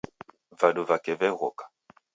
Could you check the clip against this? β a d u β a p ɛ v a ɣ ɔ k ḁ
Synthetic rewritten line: v a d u v a k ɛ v ɛ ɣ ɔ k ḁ